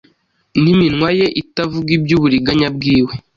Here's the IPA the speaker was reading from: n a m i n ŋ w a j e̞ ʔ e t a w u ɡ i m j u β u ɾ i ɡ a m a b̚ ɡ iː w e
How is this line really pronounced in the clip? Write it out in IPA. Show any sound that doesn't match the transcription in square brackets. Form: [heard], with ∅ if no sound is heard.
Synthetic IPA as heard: n [i] m i n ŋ w a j e̞ ʔ [i] t a [v] u ɡ i [b] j u β u ɾ i ɡ a [ɲ] a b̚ ɡ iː w e